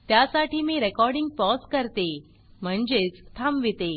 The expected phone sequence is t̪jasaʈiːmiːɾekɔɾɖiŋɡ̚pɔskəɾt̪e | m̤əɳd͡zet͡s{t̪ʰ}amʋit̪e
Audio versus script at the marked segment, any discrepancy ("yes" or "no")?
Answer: no